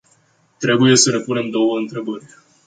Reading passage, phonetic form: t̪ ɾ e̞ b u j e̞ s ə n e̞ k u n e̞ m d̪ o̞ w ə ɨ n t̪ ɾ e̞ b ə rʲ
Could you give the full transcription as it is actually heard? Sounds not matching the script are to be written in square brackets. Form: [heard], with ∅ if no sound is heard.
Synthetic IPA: t̪ ɾ e̞ b u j e̞ s ə n e̞ [p] u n e̞ m d̪ o̞ w ə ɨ n t̪ ɾ e̞ b ə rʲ